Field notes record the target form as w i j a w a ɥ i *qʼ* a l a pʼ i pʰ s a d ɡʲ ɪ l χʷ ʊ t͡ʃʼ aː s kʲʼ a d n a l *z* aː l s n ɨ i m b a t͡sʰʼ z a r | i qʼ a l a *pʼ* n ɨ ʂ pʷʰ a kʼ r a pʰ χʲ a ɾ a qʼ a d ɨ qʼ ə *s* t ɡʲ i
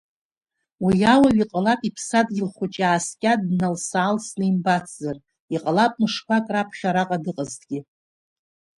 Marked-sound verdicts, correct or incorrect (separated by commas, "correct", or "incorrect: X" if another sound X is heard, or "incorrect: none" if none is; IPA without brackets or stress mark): correct, incorrect: s, correct, incorrect: z